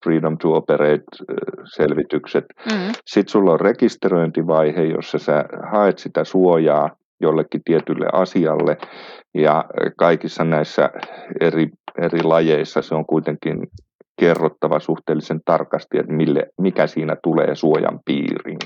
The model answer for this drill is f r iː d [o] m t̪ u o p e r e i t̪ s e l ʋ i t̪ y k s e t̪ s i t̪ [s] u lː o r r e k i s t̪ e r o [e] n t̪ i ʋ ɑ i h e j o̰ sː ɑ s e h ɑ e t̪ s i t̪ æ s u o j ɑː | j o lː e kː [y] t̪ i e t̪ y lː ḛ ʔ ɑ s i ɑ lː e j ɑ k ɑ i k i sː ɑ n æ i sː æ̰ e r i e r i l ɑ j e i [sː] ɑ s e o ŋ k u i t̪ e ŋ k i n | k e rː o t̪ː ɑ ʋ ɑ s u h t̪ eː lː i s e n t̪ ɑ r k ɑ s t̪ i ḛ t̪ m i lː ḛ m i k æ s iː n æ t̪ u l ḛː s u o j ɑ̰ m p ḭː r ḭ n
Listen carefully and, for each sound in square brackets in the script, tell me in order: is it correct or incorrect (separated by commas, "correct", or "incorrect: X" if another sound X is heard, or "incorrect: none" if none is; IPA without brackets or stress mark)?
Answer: correct, correct, incorrect: i, incorrect: i, correct